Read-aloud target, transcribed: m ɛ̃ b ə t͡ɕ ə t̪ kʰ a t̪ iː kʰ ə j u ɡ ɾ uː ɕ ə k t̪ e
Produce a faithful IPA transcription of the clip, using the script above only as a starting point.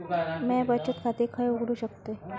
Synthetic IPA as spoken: m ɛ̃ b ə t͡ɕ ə t̪ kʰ a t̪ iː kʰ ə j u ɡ ɽ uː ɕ ə k t̪ e